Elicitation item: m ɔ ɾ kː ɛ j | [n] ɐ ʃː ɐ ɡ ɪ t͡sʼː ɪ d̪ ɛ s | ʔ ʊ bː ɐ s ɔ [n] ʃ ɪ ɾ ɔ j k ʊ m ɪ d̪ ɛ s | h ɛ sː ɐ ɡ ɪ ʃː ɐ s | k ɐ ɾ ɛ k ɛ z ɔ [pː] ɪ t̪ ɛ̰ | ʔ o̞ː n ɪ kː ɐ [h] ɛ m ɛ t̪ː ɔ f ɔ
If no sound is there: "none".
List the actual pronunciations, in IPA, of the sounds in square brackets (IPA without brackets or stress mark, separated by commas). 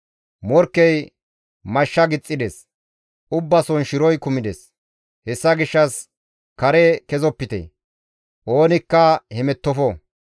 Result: m, n, pː, h